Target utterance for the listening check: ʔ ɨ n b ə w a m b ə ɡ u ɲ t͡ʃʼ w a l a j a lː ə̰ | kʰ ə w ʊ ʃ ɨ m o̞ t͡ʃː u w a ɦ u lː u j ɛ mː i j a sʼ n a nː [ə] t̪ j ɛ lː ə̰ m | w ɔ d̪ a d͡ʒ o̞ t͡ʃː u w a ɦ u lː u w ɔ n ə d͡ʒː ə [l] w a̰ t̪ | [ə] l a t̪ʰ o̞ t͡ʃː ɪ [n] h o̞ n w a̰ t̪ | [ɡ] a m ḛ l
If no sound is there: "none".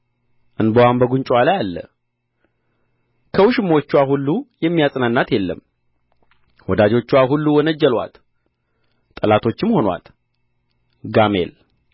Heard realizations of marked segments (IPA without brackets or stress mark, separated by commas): a, l, ə, m, ɡ